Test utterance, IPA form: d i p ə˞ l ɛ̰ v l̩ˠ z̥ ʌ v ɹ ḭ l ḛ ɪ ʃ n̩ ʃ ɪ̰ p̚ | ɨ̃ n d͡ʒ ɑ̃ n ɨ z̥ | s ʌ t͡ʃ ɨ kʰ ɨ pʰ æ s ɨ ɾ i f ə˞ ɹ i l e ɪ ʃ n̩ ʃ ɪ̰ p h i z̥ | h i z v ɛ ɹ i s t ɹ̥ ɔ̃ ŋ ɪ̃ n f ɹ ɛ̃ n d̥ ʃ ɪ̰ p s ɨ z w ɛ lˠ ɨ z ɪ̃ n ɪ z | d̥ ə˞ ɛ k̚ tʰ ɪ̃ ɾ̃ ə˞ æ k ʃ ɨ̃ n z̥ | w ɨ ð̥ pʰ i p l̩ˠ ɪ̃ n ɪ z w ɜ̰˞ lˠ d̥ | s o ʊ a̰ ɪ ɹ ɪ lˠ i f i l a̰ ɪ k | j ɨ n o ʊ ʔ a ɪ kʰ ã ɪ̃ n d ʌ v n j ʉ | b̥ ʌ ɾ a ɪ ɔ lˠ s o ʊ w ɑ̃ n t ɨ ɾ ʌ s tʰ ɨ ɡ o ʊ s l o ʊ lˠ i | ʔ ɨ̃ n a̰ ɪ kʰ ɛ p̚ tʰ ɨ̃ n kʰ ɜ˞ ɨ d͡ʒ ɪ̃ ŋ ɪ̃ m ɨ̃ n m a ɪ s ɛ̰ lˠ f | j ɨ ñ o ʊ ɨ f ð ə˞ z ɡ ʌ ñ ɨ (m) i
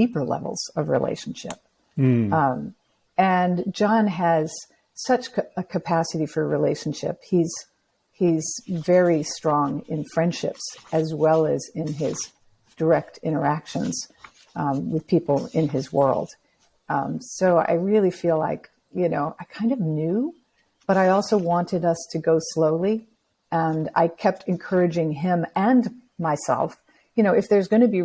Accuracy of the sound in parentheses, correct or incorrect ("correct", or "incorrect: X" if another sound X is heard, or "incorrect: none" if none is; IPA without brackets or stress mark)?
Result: incorrect: b